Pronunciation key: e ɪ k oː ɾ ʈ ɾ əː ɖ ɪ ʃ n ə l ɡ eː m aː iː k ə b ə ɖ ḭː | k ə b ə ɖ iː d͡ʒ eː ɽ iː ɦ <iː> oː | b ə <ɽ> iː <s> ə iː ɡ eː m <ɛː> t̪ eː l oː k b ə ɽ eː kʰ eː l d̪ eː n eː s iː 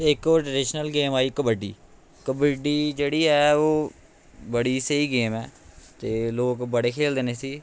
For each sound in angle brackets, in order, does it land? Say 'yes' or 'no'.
no, yes, yes, yes

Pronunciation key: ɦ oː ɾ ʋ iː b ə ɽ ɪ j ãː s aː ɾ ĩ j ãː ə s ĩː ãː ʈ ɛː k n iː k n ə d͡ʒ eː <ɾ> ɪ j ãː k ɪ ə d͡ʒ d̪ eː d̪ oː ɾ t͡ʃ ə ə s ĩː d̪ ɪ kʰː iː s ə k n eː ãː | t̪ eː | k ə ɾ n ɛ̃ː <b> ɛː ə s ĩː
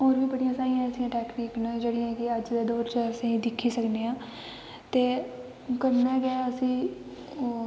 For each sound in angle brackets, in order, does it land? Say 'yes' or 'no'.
no, no

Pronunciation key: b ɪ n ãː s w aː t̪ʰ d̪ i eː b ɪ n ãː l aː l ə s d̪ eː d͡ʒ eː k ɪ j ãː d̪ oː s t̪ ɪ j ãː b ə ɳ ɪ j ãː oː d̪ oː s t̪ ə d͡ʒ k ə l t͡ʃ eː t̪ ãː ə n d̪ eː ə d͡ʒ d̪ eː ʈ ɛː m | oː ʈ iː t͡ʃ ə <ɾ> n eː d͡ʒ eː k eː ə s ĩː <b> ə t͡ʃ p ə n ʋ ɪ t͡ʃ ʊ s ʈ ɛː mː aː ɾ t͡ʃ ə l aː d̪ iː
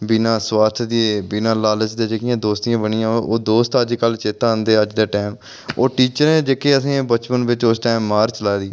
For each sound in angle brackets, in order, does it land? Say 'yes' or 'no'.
yes, yes

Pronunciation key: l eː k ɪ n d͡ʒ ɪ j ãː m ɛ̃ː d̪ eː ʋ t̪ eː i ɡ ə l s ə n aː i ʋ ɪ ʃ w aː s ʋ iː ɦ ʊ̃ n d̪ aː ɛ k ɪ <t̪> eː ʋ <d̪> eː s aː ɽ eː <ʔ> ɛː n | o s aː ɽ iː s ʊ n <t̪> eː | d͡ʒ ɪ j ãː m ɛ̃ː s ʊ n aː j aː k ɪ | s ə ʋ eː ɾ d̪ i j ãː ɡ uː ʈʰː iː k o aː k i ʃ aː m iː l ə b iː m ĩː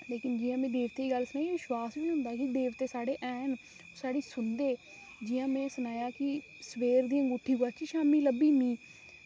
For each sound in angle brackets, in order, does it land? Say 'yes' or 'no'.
no, no, yes, no

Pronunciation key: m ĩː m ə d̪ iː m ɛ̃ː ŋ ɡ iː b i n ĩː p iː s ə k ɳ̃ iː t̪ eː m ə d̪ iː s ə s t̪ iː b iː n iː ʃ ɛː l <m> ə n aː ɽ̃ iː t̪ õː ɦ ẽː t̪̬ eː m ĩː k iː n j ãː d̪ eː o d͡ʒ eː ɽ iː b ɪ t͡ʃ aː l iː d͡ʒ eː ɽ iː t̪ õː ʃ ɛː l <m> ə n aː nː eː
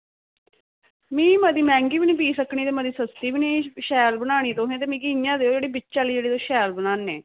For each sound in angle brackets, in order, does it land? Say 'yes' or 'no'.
no, no

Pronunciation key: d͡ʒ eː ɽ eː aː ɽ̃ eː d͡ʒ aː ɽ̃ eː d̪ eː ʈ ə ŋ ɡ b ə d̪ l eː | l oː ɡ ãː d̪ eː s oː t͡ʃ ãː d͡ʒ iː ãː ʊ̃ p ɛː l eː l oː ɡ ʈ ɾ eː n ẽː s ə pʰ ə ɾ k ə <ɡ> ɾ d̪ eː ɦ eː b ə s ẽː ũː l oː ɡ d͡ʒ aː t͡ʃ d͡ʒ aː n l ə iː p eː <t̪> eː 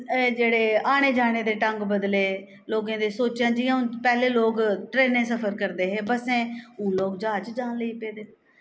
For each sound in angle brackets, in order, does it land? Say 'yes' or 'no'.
no, no

